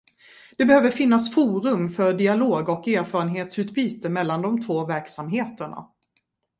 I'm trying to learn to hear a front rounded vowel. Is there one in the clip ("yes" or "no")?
yes